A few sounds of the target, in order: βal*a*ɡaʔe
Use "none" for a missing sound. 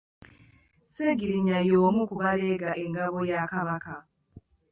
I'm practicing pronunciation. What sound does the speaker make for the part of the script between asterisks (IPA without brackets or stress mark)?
e